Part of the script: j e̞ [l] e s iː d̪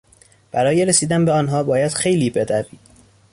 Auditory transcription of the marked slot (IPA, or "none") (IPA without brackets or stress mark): ɾ